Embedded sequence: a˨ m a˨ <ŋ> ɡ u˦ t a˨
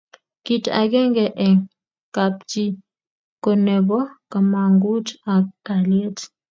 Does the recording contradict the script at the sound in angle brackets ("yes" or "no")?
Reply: no